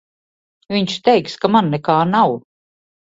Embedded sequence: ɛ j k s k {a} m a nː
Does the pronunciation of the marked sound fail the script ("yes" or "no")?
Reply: no